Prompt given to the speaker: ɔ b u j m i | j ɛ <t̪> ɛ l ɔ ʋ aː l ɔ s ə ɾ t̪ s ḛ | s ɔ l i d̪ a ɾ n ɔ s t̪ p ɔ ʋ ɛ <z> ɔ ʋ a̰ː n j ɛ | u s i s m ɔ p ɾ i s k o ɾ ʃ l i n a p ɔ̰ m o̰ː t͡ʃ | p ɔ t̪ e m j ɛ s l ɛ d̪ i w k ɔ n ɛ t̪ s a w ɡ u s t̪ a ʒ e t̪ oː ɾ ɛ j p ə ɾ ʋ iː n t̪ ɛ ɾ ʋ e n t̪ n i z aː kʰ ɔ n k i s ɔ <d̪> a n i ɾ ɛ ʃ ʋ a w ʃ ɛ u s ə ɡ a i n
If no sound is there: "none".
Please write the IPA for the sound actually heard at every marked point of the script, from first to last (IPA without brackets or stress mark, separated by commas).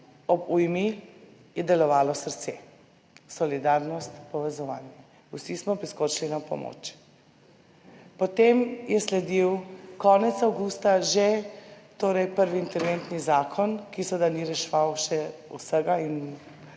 d̪, z, d̪